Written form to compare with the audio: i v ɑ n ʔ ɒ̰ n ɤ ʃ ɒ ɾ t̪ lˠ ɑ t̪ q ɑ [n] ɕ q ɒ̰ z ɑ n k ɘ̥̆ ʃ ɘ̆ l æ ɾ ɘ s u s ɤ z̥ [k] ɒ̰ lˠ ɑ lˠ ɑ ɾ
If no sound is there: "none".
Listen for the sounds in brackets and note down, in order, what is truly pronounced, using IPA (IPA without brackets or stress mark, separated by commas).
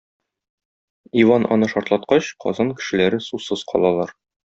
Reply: none, q